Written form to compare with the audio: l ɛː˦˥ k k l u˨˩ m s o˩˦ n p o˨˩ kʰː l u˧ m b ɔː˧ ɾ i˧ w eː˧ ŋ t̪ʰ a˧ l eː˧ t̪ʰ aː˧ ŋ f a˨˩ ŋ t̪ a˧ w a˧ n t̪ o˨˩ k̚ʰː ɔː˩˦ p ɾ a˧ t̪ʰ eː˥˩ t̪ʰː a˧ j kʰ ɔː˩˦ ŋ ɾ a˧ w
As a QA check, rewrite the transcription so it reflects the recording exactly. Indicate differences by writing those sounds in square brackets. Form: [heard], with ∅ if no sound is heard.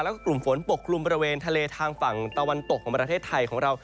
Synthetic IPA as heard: l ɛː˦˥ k k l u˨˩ m [f] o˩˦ n p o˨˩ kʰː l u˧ m b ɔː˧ ɾ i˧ w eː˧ [n] t̪ʰ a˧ l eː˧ t̪ʰ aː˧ ŋ f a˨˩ ŋ t̪ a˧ w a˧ n t̪ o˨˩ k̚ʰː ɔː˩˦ p ɾ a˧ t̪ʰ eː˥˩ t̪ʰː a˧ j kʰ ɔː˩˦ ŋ ɾ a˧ w